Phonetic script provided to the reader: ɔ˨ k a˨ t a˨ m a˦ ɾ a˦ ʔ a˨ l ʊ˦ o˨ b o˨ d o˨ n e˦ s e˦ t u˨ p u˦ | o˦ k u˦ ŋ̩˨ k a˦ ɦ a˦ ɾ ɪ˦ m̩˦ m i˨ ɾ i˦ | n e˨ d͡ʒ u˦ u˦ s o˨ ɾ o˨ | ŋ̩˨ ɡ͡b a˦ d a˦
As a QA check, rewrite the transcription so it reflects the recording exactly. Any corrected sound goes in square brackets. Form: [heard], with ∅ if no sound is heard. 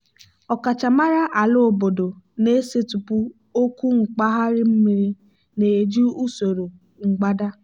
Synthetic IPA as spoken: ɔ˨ k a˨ [t͡ʃ] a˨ m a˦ ɾ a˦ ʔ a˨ l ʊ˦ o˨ b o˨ d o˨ n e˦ s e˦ t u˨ p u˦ | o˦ k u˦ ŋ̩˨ [k͡p] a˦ ɦ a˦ ɾ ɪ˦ m̩˦ m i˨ ɾ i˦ | n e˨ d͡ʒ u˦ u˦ s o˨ ɾ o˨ | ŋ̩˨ ɡ͡b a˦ d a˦